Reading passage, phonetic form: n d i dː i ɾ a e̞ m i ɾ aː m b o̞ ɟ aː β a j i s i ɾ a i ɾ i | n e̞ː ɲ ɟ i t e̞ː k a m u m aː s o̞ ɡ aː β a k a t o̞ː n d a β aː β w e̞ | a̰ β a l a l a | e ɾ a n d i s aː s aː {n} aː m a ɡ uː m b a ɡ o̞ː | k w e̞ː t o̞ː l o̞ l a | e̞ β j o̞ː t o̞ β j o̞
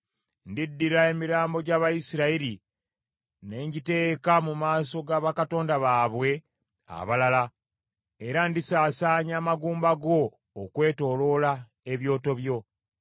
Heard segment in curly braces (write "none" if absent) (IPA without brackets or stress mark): ɲ